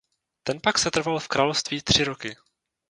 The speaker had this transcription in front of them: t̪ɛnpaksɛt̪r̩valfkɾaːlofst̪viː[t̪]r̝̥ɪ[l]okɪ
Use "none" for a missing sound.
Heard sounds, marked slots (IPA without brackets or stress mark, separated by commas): t̪, ɾ